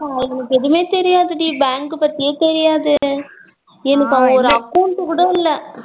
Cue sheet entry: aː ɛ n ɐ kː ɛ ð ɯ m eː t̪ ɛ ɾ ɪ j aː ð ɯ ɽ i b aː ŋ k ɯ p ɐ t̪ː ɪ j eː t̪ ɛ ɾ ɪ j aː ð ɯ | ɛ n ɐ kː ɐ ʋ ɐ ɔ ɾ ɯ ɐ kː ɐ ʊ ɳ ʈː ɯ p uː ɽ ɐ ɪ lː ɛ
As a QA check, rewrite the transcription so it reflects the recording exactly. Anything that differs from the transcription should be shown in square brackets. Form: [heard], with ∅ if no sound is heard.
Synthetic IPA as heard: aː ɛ n ɐ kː ɛ ð ɯ m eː t̪ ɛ ɾ ɪ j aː ð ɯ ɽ i b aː ŋ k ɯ p ɐ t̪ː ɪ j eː t̪ ɛ ɾ ɪ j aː ð ɯ | ɛ n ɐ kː ɐ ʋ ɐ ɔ ɾ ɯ ɐ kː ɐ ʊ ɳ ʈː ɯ [k] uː ɽ ɐ ɪ lː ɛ